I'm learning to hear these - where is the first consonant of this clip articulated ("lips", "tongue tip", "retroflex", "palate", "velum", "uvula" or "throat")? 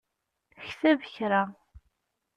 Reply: palate